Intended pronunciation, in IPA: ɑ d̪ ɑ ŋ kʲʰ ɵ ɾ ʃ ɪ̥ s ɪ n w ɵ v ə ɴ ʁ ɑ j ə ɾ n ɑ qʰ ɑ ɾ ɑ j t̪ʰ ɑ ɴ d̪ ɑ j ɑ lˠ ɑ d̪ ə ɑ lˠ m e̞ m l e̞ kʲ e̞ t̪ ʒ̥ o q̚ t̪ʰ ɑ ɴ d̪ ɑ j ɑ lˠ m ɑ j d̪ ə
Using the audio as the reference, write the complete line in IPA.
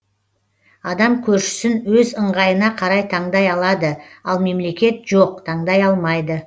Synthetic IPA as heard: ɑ d̪ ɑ m kʲʰ ɵ ɾ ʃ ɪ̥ s ɪ n w ɵ z ə ɴ ʁ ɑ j ə n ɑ qʰ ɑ ɾ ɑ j t̪ʰ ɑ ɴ d̪ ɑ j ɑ lˠ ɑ d̪ ə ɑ lˠ m e̞ m l e̞ kʲ e̞ t̪ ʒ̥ o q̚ t̪ʰ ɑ ɴ d̪ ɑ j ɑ lˠ m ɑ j d̪ ə